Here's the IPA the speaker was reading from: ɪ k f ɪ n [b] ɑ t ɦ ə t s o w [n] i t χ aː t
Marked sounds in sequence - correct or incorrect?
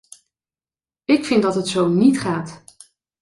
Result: incorrect: d, correct

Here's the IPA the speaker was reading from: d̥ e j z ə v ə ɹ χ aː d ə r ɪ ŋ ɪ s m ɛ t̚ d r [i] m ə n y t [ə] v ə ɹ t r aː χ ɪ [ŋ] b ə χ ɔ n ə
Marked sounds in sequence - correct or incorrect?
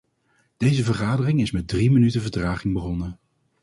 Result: correct, correct, correct

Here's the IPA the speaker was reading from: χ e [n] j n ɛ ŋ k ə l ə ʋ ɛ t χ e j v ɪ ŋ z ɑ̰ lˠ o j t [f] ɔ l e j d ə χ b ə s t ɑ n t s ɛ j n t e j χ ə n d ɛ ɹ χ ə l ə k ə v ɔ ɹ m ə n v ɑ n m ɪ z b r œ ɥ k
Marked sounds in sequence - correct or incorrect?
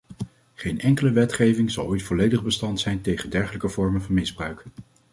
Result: incorrect: none, correct

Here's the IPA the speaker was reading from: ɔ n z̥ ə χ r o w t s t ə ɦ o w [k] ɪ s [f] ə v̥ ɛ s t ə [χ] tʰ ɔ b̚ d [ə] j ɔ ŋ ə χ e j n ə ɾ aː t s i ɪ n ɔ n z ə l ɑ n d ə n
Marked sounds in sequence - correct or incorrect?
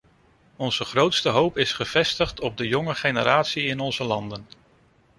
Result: incorrect: p, incorrect: χ, correct, correct

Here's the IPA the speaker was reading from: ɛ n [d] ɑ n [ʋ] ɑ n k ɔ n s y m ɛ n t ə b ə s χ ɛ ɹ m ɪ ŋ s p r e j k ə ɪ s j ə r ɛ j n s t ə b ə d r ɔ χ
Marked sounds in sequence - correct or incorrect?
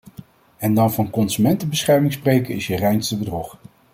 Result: correct, incorrect: v

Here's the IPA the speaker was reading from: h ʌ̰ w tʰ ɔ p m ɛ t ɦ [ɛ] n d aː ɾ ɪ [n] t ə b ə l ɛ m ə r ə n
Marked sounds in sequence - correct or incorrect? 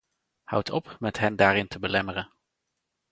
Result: correct, correct

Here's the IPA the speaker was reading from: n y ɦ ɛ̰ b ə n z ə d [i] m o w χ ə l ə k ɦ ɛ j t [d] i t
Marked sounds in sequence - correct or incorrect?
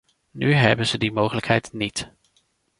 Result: correct, incorrect: n

